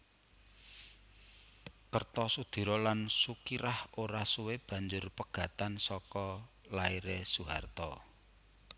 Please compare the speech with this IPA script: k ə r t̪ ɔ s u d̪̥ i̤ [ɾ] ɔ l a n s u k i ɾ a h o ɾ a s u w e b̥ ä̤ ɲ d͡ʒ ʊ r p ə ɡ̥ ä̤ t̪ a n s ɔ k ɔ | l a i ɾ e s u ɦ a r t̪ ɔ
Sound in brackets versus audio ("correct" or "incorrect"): correct